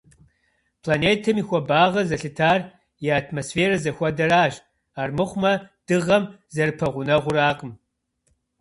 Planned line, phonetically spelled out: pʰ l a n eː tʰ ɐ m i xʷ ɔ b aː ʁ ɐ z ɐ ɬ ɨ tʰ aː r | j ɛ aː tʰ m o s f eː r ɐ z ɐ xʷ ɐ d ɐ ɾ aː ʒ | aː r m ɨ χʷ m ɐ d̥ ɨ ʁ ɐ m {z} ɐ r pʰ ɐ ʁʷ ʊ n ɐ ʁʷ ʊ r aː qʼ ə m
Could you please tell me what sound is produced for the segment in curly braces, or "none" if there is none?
z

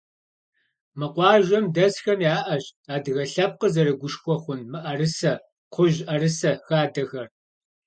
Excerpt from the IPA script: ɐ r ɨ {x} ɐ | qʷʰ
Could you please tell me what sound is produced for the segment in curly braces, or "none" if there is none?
s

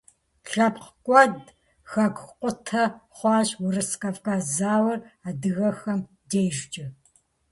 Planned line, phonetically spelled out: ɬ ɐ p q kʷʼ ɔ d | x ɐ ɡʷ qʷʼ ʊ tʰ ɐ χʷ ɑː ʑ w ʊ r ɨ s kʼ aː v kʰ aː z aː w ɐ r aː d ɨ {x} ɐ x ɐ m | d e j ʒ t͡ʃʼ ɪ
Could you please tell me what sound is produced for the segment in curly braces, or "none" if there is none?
ɣ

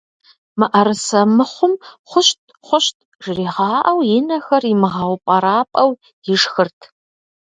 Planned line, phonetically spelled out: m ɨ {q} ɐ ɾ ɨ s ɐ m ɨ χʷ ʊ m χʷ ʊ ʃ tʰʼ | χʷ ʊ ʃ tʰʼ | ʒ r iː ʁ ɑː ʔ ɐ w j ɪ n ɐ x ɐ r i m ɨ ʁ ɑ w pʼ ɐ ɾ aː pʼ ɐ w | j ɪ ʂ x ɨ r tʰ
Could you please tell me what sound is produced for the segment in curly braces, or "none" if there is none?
ʔ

